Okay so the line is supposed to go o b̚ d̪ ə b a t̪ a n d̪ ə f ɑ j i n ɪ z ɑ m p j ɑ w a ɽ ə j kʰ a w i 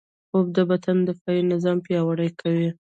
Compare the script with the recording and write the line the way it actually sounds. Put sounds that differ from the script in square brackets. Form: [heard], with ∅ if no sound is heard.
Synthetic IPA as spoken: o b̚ d̪ ə b a t̪ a n d̪ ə f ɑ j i n ɪ z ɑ m p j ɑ w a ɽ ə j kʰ a w i

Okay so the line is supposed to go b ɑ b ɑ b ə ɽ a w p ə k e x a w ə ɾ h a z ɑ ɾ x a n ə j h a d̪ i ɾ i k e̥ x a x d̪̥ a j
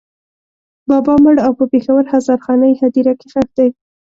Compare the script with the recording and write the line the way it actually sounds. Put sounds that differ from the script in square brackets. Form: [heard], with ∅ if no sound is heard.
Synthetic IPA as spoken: b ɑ b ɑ [m] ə ɽ a w p ə [p] e x a w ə ɾ h a z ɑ ɾ x [ɑ] n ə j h a d̪ i ɾ [a] k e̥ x a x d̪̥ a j

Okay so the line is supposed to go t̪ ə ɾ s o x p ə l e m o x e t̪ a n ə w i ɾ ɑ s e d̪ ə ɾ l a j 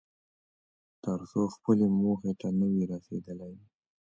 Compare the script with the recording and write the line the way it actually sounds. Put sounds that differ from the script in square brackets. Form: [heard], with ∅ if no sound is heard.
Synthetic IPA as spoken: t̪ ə ɾ s o x p ə l e m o x e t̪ a n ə w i ɾ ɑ s e d̪ ə [∅] l a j

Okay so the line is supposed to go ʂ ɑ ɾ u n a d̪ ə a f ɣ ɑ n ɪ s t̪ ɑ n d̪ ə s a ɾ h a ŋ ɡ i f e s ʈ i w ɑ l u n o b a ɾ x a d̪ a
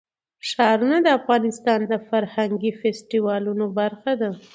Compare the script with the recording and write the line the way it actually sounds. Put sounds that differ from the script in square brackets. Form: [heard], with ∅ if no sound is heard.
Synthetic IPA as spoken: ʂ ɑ ɾ u n a d̪ ə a f ɣ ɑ n ɪ s t̪ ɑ n d̪ ə [f] a ɾ h a ŋ ɡ i f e s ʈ i w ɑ l u n o b a ɾ x a d̪ a

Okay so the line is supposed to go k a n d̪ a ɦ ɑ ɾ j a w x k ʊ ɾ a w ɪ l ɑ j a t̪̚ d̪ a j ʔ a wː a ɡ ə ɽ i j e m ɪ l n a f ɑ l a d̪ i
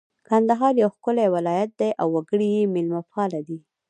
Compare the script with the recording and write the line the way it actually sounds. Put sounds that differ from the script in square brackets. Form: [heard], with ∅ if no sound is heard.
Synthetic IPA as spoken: k a n d̪ a ɦ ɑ ɾ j a w x k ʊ [l] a w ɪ l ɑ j a t̪̚ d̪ a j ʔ a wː a ɡ ə ɽ i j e m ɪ l [m] a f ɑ l a d̪ i

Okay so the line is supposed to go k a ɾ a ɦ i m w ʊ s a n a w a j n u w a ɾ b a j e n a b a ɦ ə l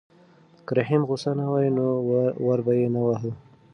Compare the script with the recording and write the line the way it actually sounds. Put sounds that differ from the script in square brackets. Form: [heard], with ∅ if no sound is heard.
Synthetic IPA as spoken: k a ɾ a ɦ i m [ɣ] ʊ s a n a w a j n [o] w a ɾ b a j e n a [w] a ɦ ə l

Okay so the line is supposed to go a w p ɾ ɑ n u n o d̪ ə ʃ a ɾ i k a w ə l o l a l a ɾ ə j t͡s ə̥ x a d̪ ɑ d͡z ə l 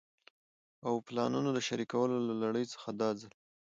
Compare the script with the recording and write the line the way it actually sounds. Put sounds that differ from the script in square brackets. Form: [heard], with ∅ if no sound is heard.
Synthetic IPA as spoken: a w p [l] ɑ n u n o d̪ ə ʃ a ɾ i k a w ə l o l a l a [ɽ] ə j t͡s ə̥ x a d̪ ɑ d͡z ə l

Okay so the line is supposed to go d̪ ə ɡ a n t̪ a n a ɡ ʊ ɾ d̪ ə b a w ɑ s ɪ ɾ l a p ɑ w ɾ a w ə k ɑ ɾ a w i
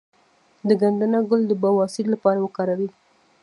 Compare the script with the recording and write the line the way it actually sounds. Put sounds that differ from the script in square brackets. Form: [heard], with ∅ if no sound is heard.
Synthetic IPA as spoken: d̪ ə ɡ a n [d̪] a n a ɡ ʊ [l] d̪ ə b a w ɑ s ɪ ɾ l a p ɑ [∅] ɾ a w ə k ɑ ɾ a w i

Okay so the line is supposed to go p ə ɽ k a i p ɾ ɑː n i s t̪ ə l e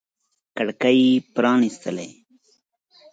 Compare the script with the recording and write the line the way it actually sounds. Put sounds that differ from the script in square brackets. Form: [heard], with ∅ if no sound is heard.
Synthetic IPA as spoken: [k] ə ɽ k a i p ɾ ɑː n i s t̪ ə l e

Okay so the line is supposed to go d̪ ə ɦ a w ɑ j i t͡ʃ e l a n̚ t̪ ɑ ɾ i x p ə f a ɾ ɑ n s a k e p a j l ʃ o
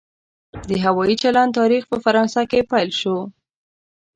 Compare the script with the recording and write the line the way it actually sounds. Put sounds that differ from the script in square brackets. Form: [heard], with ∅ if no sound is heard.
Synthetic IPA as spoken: d̪ ə ɦ a w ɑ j i t͡ʃ [a] l a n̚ t̪ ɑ ɾ i x p ə f a ɾ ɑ n s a k e p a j l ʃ o

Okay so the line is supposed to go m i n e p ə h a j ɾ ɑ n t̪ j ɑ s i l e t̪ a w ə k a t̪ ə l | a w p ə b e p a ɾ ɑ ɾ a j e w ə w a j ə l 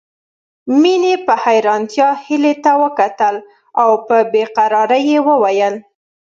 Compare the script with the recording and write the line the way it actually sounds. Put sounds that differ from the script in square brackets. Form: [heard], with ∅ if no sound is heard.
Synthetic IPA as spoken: m i n e p ə h a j ɾ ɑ n t̪ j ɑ [h] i l e t̪ a w ə k a t̪ ə l | a w p ə b e [q] a ɾ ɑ ɾ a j e w ə w a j ə l

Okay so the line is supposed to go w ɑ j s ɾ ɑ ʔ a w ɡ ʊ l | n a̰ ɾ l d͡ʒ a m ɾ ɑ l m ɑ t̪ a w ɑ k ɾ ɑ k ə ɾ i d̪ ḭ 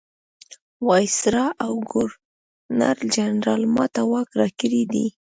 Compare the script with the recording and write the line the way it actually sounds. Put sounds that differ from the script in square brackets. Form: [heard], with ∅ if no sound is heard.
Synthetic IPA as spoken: w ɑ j s ɾ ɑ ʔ a w ɡ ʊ [ɾ] | n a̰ ɾ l d͡ʒ a [n] ɾ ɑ l m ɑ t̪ a w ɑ k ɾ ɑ k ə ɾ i d̪ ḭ

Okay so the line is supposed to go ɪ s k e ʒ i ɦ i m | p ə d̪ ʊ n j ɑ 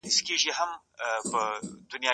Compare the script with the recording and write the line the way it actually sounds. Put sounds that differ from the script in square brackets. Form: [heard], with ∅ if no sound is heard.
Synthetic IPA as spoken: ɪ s k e ʒ i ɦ [a] m | p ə d̪ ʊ n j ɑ

